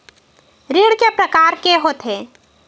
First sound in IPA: ɾ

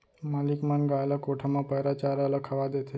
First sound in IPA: m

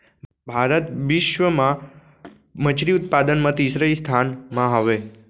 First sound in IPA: bʱ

